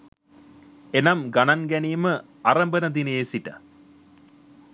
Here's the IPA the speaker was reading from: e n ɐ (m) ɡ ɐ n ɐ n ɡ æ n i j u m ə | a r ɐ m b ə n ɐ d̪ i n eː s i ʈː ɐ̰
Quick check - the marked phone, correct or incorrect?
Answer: correct